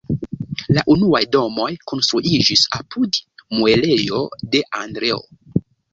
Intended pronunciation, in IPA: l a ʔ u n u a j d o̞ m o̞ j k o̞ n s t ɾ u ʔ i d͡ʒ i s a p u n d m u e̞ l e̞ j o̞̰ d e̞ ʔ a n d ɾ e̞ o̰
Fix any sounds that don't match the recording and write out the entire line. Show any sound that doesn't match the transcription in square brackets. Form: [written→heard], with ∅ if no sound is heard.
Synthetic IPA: l a ʔ u n u a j d o̞ m o̞ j k o̞ n s t ɾ u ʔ i d͡ʒ i s a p u [n→∅] d m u e̞ l e̞ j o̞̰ d e̞ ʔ a n d ɾ e̞ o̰